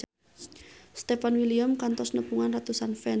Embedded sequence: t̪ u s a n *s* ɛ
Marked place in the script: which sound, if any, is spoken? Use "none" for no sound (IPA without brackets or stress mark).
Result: f